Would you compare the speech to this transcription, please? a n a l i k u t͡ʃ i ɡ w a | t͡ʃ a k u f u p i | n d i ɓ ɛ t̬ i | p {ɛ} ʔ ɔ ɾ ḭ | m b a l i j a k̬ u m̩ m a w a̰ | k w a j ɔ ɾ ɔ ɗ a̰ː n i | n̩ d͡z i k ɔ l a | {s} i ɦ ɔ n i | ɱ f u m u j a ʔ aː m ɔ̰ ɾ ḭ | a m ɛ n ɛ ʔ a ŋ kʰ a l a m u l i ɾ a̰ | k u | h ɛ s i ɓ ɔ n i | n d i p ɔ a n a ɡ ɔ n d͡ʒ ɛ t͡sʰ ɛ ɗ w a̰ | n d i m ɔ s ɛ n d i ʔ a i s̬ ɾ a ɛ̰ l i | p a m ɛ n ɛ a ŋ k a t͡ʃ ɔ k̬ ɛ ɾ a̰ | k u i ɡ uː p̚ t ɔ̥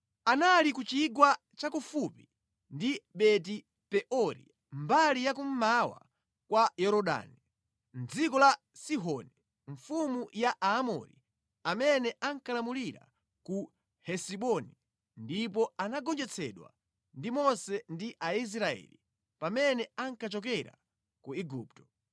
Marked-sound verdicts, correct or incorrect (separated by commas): correct, correct